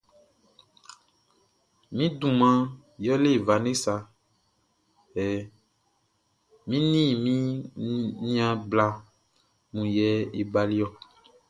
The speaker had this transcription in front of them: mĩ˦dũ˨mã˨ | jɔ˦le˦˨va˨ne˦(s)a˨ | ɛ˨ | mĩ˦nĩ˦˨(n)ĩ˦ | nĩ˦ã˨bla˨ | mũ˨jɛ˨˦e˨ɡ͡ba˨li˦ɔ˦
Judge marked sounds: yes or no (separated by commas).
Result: yes, no